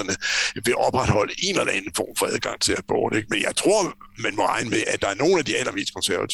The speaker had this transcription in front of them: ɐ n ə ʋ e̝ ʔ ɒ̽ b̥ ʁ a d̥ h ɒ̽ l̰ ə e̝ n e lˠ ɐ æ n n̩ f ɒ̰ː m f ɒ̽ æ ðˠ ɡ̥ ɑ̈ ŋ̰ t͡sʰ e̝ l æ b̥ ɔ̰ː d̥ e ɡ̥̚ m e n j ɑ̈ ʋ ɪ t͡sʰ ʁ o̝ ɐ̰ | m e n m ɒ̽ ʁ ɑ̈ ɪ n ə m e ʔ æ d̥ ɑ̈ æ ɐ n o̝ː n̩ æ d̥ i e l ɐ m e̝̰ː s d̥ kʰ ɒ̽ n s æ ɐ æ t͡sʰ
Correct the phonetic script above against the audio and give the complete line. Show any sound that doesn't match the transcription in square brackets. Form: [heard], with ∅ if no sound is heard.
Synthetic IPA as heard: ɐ n ə ʋ e̝ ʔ ɒ̽ b̥ ʁ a d̥ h ɒ̽ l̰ ə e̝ n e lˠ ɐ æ n n̩ f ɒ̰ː m f ɒ̽ æ ðˠ ɡ̥ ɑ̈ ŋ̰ t͡sʰ e̝ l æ b̥ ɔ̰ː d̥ e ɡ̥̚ m e n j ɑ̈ [∅] ɪ t͡sʰ ʁ o̝ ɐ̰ | m [æ] n m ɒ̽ ʁ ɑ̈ ɪ n ə m e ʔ æ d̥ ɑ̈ æ ɐ n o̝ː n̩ æ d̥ i [æ] l ɐ m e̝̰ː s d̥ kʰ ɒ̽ n s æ ɐ æ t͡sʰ